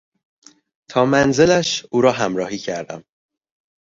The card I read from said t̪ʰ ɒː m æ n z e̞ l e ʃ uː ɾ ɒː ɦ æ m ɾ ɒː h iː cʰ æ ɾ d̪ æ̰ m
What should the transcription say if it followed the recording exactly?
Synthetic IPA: t̪ʰ ɒː m æ n z e̞ l æ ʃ uː ɾ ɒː ɦ æ m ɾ ɒː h iː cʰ æ ɾ d̪ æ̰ m